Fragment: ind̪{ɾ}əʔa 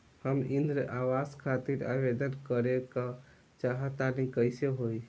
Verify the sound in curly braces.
correct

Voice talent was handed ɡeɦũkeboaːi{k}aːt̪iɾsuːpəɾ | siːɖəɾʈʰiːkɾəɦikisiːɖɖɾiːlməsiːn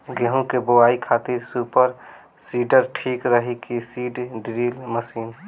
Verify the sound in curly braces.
incorrect: kʰ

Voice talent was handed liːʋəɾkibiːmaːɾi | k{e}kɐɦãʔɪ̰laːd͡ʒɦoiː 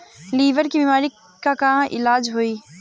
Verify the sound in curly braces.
incorrect: a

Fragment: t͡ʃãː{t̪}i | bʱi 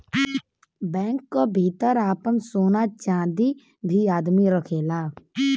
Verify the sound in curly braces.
incorrect: d̪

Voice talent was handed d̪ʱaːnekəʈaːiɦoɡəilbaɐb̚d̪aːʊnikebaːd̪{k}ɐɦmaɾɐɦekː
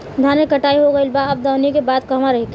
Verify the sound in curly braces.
correct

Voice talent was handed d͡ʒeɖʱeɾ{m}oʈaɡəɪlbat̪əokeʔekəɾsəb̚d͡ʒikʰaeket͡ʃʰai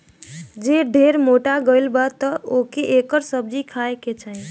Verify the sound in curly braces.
correct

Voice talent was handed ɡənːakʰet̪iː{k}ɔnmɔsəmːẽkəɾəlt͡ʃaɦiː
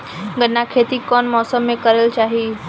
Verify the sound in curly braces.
correct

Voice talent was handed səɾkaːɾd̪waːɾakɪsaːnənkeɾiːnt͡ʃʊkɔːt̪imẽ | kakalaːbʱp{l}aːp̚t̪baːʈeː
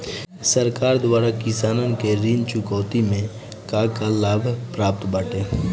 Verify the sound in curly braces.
incorrect: ɾ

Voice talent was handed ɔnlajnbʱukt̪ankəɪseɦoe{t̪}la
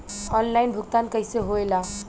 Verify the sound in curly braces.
incorrect: none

